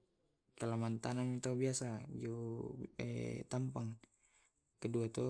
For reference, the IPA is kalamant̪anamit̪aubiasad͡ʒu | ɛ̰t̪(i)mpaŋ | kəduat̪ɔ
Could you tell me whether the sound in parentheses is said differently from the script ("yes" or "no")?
yes